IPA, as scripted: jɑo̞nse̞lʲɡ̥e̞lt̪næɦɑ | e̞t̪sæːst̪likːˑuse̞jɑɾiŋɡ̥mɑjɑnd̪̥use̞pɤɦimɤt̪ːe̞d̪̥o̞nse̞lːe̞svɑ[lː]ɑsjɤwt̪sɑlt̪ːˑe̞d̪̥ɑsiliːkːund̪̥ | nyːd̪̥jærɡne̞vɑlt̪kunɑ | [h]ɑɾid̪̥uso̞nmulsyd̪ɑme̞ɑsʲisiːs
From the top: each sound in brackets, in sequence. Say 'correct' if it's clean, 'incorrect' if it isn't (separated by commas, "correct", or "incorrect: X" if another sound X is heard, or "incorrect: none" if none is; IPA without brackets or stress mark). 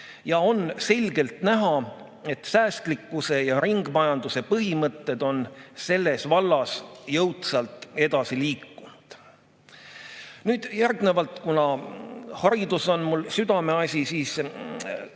correct, correct